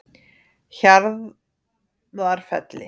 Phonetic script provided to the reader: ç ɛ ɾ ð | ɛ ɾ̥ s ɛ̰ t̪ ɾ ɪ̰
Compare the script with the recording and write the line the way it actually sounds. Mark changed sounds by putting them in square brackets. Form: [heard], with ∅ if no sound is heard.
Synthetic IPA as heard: ç [a] ɾ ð | [a] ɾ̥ [f] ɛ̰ t̪ [l] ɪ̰